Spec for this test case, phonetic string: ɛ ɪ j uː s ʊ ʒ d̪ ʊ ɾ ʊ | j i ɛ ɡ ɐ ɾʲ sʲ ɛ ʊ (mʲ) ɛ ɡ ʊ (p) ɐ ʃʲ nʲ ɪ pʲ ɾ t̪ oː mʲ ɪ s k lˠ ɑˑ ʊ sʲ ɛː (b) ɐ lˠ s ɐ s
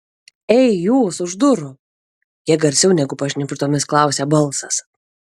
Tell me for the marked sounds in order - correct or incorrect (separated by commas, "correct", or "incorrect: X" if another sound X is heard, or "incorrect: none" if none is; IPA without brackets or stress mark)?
incorrect: nʲ, correct, correct